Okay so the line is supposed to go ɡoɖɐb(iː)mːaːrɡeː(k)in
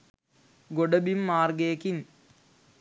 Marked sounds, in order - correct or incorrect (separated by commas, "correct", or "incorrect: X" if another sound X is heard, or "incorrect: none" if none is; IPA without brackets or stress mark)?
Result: incorrect: i, correct